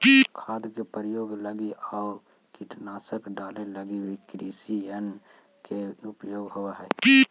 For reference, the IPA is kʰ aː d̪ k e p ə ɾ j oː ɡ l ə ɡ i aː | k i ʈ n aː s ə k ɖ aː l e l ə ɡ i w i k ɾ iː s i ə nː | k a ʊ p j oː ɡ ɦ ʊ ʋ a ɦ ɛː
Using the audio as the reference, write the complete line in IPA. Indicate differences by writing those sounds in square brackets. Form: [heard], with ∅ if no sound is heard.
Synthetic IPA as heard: kʰ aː d̪ k e p ə ɾ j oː ɡ l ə ɡ i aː | k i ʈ n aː s ə k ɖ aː l e l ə ɡ i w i k ɾ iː s i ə [n] | k [e] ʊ p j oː ɡ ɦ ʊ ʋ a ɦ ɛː